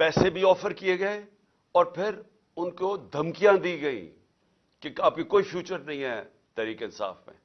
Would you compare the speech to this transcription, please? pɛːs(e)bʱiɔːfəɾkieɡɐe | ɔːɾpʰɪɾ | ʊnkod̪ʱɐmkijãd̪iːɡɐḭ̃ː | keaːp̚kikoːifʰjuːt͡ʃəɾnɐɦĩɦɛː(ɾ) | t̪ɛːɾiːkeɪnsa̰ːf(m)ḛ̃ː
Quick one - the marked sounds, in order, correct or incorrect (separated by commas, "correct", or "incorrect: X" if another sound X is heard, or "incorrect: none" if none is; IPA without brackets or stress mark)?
correct, incorrect: none, correct